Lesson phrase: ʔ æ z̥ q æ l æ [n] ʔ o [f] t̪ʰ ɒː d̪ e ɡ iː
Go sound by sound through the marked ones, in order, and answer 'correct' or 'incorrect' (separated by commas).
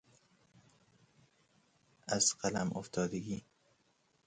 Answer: incorrect, correct